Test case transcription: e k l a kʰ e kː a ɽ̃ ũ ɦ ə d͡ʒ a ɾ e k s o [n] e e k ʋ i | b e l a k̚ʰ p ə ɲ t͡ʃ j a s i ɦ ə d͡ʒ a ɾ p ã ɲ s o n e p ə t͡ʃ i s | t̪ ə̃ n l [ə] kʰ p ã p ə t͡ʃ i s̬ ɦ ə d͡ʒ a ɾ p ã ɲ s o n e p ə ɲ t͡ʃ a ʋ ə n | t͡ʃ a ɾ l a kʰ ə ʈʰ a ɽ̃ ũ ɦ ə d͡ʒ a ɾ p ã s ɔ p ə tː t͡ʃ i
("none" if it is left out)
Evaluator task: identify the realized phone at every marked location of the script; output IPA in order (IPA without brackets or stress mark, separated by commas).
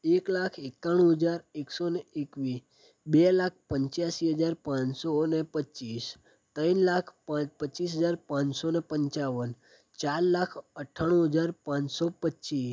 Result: n, a